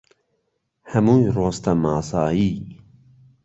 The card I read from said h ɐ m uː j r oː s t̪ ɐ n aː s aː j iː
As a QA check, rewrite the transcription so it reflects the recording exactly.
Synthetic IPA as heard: h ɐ m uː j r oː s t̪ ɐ m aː s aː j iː

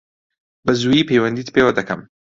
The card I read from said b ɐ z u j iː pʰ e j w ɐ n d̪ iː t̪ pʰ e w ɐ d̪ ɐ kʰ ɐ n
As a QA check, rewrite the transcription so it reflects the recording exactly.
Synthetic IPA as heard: b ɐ z u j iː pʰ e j w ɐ n d̪ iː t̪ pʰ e w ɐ d̪ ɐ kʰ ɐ m

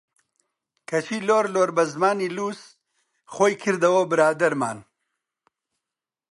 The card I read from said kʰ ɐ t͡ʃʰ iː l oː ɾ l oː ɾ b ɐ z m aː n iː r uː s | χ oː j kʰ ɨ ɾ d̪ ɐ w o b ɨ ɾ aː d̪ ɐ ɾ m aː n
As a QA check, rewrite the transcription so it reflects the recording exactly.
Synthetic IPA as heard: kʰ ɐ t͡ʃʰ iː l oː ɾ l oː ɾ b ɐ z m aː n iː l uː s | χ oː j kʰ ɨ ɾ d̪ ɐ w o b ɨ ɾ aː d̪ ɐ ɾ m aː n

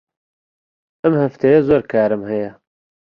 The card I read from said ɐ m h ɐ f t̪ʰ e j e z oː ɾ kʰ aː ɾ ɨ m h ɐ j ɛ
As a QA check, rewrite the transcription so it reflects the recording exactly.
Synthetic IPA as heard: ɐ m h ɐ f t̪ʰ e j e z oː ɾ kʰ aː ɾ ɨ m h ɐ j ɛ

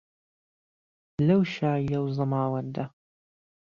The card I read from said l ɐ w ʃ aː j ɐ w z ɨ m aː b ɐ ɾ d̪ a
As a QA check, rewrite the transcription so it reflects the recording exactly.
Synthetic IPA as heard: l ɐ w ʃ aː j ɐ w z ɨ m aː w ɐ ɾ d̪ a

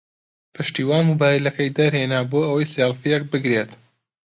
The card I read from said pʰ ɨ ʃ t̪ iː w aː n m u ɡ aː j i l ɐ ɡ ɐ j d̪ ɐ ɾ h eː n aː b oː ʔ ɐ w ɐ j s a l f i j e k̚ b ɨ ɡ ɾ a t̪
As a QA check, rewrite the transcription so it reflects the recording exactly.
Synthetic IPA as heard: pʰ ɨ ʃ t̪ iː w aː n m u b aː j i l ɐ k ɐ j d̪ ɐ ɾ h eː n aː b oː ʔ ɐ w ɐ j s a l f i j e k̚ b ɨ ɡ ɾ e t̪

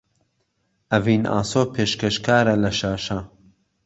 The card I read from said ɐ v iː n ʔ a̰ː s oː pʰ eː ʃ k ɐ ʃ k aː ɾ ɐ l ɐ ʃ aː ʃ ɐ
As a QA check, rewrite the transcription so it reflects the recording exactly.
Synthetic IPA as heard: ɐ v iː n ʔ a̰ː s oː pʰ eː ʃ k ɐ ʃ k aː ɾ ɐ l ɐ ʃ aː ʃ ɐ

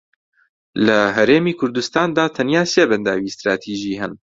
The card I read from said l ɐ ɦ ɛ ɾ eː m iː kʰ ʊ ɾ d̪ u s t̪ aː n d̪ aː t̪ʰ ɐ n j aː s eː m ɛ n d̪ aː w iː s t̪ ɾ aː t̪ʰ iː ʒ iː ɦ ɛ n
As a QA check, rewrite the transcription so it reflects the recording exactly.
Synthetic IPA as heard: l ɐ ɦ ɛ ɾ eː m iː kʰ ʊ ɾ d̪ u s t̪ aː n d̪ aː t̪ʰ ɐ n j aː s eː b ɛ n d̪ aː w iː s t̪ ɾ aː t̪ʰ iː ʒ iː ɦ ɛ n

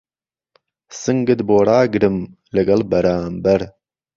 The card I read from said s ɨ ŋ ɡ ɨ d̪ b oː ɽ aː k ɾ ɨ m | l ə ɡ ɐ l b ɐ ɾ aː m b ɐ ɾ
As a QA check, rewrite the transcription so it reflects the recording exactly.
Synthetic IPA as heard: s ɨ ŋ ɡ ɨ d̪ b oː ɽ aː ɡ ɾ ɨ m | l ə ɡ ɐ l b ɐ ɾ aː m b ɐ ɾ

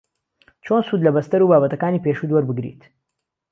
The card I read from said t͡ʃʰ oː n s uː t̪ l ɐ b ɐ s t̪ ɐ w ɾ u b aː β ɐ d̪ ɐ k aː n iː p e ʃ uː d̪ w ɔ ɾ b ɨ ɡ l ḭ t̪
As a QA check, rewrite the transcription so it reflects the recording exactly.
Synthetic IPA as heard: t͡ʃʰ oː n s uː d̪ l ɐ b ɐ s t̪ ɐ ɾ u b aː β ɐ t̪ ɐ k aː n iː p e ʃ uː d̪ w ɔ ɾ b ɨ ɡ ɾ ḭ t̪

